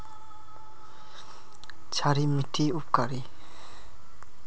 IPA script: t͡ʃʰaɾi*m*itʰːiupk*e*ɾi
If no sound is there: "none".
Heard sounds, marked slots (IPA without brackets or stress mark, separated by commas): m, a